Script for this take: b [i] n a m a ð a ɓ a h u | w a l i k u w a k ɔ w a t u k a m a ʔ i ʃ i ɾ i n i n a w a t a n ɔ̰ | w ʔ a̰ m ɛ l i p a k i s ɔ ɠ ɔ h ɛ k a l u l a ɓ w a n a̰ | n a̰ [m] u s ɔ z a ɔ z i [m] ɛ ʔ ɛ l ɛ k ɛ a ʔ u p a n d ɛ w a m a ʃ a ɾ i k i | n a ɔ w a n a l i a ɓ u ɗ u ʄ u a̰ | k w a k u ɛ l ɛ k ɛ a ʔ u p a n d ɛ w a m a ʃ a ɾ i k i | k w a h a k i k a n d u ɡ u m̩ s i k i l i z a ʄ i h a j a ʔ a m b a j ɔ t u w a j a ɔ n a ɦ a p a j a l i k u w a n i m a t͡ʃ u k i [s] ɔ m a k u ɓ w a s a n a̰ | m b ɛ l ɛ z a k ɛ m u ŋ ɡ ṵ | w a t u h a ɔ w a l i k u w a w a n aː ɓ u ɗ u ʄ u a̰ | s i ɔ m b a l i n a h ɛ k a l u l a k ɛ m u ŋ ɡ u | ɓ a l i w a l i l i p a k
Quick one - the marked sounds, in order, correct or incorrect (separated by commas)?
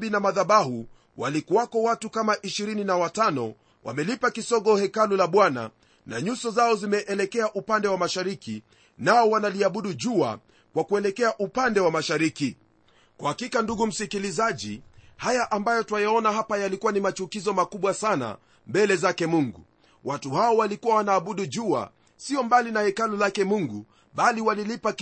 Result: correct, incorrect, correct, incorrect